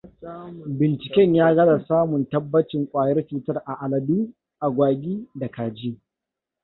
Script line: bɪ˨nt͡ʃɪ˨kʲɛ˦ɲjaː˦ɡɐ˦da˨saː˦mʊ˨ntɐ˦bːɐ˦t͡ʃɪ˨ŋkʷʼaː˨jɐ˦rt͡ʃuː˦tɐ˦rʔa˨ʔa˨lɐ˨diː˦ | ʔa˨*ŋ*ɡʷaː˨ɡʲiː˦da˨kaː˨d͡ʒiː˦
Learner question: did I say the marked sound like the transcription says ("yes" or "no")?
no